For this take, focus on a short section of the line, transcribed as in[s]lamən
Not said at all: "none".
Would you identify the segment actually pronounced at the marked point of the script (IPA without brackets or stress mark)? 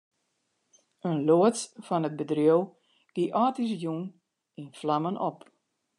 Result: f